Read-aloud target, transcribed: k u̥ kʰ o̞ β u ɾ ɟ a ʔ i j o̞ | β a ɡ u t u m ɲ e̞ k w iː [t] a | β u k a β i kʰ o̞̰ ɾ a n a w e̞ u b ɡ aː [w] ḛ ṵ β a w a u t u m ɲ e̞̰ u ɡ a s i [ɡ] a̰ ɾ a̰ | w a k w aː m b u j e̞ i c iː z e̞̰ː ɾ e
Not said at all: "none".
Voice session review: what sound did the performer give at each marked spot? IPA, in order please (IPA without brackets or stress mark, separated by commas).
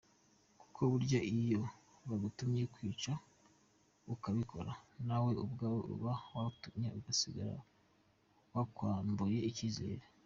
t͡ʃ, w, ɡ